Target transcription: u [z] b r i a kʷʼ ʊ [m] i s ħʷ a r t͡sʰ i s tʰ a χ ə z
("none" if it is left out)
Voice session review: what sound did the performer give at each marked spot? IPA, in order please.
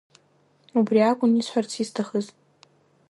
none, n

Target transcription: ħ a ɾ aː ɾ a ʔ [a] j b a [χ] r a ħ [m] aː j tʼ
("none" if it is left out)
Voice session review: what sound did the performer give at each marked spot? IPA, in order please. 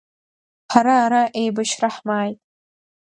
e, ʃ, m

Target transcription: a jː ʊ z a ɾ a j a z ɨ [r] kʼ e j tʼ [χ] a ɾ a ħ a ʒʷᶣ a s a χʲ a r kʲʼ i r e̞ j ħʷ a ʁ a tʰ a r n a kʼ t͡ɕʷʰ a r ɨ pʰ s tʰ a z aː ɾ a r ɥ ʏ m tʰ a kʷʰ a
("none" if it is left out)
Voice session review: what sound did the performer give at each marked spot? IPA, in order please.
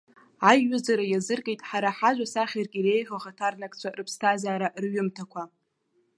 r, ħ

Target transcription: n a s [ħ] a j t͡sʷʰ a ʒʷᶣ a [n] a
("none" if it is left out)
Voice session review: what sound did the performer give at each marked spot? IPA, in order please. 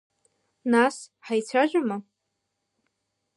ħ, m

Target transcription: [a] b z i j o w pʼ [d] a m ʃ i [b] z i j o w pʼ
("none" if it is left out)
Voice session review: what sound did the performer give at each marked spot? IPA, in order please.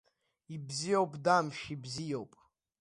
i, d, b

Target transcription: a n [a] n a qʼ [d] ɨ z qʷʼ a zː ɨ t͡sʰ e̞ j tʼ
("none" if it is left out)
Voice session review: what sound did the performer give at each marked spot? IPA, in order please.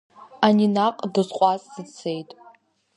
i, d

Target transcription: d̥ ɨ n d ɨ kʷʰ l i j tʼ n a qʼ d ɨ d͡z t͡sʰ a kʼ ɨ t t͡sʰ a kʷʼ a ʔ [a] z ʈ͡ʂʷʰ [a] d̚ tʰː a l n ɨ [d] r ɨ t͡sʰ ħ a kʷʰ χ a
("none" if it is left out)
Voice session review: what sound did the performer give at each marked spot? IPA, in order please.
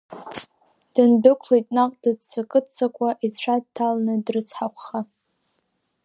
i, a, d

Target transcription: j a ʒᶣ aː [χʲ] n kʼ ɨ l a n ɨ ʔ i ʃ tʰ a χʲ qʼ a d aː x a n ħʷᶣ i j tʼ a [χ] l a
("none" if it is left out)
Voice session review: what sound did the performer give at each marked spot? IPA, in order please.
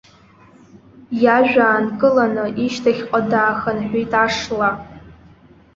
none, ʂ

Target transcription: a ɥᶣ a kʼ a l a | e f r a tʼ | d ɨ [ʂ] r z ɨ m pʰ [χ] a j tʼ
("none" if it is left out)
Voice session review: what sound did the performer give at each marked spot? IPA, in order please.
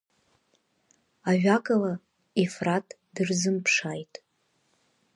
none, ʂ

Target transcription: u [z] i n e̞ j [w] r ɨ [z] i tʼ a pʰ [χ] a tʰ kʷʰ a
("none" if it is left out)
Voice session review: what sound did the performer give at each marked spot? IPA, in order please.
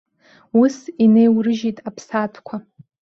s, w, ʒ, s

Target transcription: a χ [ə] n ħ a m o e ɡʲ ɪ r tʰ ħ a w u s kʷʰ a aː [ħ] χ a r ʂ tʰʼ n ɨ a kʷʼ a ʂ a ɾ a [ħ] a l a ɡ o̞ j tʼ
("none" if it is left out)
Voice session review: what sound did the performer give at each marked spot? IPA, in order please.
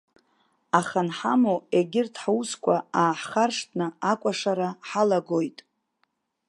a, ħ, ħ

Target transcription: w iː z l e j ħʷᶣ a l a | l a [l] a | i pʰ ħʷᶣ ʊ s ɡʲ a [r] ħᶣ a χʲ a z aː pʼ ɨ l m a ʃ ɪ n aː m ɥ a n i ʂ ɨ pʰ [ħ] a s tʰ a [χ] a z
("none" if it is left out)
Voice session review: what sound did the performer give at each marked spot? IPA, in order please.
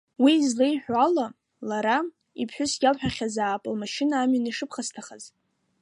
ɾ, l, χ, χ

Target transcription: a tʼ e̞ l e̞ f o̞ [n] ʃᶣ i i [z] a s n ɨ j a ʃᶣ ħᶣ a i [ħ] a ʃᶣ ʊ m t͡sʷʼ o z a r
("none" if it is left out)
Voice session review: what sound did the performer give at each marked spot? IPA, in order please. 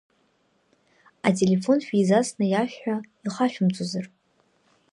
n, z, χ

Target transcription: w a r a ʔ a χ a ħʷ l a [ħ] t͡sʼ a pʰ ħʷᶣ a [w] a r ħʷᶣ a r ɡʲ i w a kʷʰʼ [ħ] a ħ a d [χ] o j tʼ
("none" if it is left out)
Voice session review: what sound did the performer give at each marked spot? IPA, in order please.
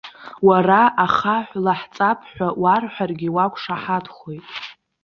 ħ, w, ʂ, χ

